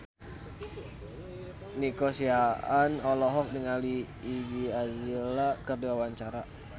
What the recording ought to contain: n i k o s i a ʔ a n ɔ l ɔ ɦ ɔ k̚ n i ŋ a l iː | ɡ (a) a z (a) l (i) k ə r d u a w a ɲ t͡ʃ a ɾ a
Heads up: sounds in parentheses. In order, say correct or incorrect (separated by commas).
incorrect, incorrect, incorrect